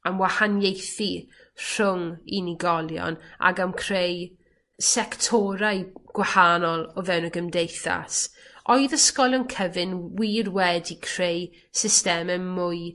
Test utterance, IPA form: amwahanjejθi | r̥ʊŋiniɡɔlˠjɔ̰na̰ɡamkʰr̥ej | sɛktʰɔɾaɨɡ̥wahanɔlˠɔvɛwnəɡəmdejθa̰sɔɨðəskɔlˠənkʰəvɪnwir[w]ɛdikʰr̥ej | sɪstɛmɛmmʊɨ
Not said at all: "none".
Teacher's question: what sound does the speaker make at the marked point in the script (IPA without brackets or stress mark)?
w